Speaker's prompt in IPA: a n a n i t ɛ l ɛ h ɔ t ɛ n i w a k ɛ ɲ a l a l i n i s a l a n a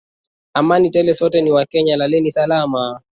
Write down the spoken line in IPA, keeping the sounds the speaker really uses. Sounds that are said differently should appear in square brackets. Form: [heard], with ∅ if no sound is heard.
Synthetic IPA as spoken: a [m] a n i t ɛ l ɛ [s] ɔ t ɛ n i w a k ɛ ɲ a l a l [ɛ] n i s a l a [m] a